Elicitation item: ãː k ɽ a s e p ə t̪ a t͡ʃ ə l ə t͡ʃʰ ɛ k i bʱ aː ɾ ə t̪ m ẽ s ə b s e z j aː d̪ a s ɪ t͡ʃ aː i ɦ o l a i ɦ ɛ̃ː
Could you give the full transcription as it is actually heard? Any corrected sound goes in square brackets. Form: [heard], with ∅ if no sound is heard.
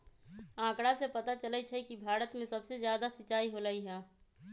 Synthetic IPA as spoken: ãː k ɽ a s e p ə t̪ a t͡ʃ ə l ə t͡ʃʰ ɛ k i bʱ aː ɾ ə t̪ m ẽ s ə b s e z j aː d̪ a s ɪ t͡ʃ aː i ɦ o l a i ɦ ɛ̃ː